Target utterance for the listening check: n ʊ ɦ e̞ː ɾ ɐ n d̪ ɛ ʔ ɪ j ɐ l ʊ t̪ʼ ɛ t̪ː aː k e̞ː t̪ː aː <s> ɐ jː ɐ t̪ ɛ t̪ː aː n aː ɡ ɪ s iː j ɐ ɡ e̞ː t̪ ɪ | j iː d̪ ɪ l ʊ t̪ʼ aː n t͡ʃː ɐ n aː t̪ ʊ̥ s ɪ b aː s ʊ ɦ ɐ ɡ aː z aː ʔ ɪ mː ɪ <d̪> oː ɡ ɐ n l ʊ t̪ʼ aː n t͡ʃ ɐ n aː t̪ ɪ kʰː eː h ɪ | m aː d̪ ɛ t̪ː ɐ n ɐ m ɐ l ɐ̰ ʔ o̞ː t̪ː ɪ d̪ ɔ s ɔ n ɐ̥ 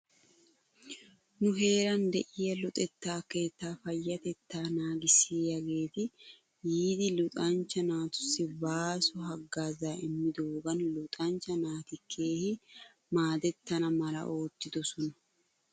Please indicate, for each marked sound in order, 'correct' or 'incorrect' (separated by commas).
incorrect, correct